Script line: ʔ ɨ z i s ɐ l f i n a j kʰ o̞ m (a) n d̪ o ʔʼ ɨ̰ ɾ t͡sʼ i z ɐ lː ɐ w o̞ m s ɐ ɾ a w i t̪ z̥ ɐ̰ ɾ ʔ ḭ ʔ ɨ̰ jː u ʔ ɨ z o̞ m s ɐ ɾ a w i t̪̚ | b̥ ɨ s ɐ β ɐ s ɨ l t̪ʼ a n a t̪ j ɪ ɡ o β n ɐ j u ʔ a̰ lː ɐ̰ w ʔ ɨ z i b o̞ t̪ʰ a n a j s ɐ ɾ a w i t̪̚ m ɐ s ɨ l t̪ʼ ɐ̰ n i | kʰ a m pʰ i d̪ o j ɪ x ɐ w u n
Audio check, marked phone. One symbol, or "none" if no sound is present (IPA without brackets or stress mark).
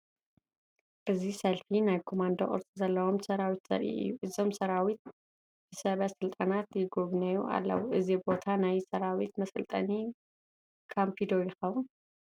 a